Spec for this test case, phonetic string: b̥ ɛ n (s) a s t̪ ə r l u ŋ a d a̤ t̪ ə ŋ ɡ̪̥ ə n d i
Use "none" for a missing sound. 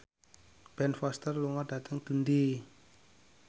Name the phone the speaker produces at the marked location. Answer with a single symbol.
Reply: f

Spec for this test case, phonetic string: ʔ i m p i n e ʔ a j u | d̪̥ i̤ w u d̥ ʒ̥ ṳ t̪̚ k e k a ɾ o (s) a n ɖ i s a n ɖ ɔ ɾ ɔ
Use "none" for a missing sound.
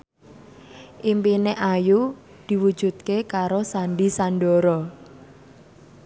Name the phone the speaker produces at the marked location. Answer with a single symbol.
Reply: s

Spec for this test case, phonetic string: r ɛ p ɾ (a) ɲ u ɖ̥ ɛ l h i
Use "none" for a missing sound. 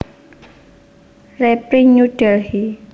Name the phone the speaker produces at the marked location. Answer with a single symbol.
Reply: i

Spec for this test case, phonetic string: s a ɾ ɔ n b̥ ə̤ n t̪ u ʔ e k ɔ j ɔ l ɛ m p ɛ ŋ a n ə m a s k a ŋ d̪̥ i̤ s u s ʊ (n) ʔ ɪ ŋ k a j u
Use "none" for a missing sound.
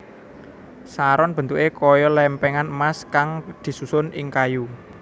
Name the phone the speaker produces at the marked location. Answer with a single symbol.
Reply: n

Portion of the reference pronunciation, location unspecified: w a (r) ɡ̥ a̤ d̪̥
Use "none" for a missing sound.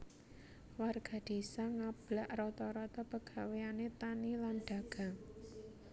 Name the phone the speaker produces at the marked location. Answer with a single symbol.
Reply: r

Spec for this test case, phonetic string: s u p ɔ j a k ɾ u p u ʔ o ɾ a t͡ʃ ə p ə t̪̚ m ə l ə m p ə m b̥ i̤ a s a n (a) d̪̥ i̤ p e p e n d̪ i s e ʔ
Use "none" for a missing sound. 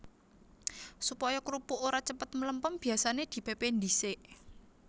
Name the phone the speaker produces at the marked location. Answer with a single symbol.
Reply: e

